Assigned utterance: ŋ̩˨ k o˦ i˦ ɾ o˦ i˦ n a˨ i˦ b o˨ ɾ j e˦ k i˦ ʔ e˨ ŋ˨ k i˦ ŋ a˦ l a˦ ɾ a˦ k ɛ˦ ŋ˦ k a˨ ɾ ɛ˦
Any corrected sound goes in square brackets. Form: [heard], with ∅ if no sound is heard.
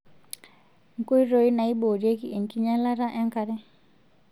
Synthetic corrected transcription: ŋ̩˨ k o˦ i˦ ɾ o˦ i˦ n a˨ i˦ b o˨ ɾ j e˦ k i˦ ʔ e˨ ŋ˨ k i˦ [ɲ] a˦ l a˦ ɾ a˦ [ʔ] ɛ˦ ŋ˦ k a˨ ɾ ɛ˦